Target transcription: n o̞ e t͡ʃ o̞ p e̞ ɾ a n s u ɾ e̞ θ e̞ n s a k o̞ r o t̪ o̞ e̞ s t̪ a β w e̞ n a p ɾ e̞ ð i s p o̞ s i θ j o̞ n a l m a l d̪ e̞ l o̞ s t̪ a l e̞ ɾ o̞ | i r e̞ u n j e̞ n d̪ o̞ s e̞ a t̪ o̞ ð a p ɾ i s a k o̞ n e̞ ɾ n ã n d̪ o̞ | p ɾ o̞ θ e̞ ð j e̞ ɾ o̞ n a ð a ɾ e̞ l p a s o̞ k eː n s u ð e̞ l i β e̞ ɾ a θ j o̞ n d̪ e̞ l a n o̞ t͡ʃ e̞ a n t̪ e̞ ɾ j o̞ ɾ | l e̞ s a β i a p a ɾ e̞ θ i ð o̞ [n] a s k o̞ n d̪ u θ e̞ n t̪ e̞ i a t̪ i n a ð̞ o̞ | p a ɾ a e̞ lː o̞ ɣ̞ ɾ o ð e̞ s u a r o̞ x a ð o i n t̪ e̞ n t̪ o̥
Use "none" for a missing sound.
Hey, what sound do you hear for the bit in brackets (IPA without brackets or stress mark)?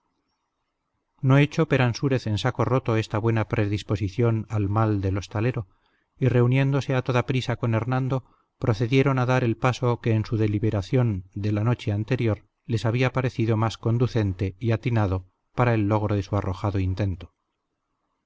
m